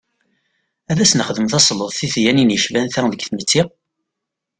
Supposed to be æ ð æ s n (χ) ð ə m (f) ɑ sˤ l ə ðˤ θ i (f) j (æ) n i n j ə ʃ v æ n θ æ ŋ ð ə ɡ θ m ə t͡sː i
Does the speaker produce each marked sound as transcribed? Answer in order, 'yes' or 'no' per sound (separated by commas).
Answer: yes, no, no, yes